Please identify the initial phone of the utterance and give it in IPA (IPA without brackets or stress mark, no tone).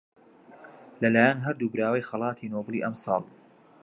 l